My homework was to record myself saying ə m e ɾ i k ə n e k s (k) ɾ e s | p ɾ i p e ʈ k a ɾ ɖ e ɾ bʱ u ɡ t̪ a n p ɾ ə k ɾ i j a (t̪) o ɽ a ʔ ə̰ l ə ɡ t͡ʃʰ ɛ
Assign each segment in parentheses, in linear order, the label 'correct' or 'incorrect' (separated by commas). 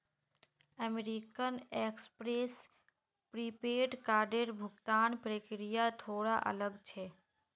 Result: incorrect, incorrect